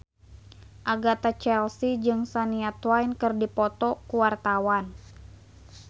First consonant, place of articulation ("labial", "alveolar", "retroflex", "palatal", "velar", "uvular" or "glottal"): glottal